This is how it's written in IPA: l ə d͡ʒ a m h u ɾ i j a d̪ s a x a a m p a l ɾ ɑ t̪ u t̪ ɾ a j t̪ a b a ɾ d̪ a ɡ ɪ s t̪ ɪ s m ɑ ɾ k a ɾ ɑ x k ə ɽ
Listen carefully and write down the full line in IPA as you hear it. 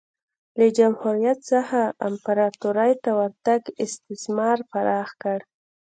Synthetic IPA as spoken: l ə d͡ʒ a m h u ɾ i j a t̪ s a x a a m p a ɾ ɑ t̪ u ɾ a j t̪ a w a ɾ t̪ a ɡ ɪ s t̪ ɪ s m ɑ ɾ p a ɾ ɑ x k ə ɽ